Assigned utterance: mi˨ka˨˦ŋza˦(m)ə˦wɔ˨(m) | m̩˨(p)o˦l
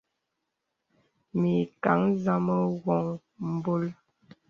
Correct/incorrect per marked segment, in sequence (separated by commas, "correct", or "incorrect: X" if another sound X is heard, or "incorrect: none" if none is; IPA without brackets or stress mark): correct, incorrect: ŋ, incorrect: b